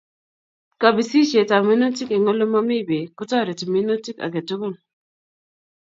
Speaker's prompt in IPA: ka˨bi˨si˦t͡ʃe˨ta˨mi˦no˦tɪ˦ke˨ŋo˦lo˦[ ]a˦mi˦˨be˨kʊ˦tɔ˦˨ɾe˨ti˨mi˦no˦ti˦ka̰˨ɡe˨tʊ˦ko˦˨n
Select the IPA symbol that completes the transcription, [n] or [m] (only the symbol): m